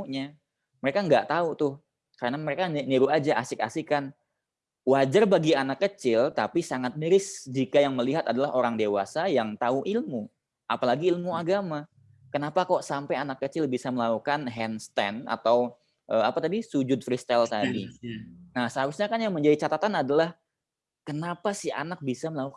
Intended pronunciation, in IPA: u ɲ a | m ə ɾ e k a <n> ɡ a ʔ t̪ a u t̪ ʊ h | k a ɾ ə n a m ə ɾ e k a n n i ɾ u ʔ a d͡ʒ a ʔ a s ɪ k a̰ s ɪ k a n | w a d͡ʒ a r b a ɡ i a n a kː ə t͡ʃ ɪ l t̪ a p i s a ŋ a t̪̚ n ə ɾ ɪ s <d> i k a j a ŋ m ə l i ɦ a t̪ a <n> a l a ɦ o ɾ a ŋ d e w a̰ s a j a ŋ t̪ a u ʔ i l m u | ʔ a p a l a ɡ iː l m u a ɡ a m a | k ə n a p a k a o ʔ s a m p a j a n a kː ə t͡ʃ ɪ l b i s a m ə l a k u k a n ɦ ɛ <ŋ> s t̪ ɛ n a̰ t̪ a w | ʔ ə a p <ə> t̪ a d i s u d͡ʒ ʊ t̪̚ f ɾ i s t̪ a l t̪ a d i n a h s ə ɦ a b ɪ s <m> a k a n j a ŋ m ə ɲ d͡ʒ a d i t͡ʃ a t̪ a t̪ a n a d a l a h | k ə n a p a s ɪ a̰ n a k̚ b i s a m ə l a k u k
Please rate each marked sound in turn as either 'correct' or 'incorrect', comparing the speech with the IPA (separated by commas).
incorrect, incorrect, incorrect, incorrect, incorrect, incorrect